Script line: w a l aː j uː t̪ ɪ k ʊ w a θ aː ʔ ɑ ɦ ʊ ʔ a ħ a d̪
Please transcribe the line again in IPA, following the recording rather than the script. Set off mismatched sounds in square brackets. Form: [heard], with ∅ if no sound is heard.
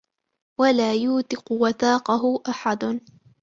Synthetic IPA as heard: w a l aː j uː t̪ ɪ [q] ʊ w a θ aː [q] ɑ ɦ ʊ ʔ a ħ a d̪